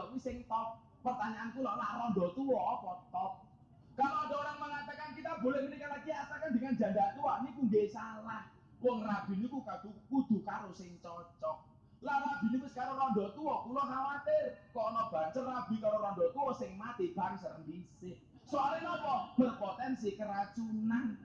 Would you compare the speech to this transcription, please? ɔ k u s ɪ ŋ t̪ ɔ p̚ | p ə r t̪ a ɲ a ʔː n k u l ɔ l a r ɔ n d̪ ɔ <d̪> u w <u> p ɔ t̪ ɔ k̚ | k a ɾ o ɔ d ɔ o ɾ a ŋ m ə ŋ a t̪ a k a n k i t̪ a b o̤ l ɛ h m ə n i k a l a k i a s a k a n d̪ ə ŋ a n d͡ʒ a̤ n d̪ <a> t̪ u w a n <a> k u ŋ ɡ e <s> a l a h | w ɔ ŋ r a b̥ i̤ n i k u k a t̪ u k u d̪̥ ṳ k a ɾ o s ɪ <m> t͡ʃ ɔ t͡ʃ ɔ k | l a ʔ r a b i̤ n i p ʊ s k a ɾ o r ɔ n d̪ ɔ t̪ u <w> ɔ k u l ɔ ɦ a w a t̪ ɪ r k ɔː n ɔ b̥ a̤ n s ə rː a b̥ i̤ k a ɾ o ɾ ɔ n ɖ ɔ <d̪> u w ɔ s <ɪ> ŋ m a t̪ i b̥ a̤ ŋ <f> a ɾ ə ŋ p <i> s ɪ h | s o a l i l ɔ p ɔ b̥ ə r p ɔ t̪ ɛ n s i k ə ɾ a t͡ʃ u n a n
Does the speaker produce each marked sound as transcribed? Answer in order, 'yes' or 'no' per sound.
no, no, yes, no, yes, no, yes, no, yes, no, yes

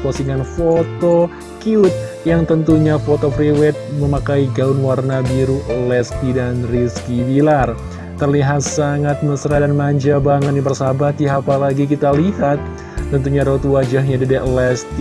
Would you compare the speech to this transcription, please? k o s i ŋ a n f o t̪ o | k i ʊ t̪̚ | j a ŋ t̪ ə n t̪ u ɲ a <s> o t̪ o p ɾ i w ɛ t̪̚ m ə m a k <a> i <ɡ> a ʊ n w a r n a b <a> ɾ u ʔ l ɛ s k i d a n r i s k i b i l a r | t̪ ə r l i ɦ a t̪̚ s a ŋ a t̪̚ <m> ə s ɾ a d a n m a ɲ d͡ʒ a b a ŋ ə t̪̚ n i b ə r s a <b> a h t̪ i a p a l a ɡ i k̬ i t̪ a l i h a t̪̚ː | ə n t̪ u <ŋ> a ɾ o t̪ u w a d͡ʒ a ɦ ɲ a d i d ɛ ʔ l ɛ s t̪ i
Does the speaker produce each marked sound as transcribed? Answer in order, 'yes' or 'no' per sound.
no, yes, yes, no, yes, yes, no

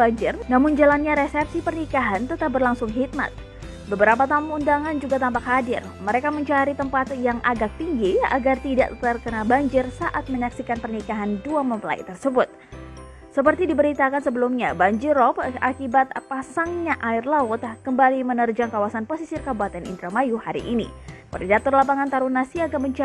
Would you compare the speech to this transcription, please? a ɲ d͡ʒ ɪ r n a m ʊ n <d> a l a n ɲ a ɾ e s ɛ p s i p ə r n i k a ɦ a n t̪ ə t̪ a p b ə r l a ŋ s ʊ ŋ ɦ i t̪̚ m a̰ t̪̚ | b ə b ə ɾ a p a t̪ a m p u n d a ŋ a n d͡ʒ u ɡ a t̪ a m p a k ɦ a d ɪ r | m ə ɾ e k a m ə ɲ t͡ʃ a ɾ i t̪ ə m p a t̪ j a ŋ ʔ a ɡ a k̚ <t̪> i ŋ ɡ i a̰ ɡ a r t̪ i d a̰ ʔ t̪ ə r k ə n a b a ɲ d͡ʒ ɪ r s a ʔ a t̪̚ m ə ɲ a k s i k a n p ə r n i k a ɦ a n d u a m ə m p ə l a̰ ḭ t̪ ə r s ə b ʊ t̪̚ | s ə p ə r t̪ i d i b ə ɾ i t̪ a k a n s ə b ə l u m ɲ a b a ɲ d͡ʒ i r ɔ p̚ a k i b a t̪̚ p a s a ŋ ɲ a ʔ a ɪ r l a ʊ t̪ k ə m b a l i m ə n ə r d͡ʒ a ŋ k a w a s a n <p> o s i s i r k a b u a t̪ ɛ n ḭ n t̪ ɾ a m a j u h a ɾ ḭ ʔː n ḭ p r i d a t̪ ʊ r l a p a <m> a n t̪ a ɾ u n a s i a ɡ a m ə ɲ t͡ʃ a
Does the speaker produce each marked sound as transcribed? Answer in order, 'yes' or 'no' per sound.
no, yes, yes, no

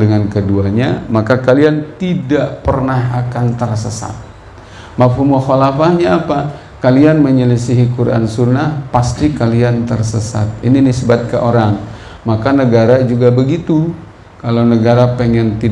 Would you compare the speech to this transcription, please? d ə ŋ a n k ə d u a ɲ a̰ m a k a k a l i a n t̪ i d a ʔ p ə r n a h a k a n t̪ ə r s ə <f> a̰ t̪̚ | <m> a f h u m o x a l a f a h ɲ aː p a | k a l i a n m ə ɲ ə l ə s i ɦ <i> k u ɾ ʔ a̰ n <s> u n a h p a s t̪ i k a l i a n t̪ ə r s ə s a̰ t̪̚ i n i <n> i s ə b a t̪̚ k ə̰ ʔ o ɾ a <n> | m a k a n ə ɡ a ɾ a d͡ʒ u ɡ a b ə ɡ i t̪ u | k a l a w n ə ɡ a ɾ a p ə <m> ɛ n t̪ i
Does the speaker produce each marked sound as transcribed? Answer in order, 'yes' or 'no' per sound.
no, yes, yes, yes, yes, no, no

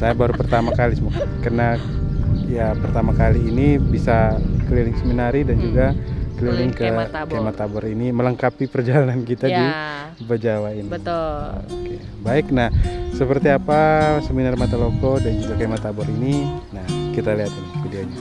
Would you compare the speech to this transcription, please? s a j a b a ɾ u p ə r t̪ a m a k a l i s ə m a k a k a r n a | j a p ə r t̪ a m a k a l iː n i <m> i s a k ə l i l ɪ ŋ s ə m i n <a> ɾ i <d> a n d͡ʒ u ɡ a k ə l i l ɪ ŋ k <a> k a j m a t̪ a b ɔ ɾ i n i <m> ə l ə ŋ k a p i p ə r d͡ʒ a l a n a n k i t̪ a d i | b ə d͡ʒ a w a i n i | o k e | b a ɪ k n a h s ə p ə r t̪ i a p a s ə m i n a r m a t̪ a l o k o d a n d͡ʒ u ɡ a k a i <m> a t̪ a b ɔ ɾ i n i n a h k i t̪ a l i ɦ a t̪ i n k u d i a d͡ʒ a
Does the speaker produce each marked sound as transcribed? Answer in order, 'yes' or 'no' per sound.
no, yes, yes, no, yes, yes

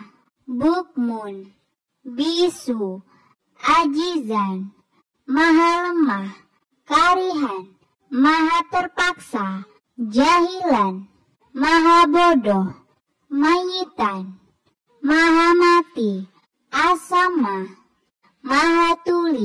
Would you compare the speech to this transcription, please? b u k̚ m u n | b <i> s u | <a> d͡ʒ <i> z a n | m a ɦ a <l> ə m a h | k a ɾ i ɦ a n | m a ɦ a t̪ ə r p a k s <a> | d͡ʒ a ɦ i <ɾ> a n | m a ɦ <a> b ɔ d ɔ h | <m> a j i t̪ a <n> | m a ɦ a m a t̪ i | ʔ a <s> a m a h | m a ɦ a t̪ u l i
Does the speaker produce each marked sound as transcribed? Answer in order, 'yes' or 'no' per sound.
yes, yes, yes, yes, yes, no, yes, yes, yes, yes

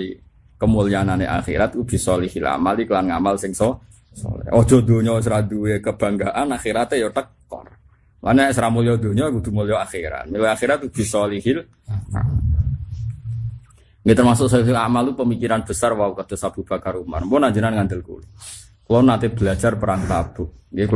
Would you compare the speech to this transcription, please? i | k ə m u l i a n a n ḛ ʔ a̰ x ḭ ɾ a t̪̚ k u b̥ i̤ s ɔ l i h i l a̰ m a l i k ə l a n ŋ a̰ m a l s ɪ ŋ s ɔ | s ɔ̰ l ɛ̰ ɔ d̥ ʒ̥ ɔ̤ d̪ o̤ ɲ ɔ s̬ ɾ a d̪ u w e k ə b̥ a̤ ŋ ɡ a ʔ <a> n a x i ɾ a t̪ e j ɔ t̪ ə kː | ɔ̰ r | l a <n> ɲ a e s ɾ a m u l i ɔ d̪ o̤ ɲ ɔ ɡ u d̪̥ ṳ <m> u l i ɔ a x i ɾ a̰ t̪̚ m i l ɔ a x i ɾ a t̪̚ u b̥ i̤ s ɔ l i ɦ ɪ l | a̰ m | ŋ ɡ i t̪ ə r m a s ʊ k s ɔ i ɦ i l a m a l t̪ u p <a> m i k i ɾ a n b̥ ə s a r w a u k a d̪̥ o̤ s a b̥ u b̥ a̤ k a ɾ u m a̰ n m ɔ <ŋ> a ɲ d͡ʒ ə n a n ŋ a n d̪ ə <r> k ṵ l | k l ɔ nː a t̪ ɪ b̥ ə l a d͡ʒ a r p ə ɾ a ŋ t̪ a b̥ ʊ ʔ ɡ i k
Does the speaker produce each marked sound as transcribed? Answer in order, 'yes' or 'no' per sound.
yes, yes, yes, no, no, no

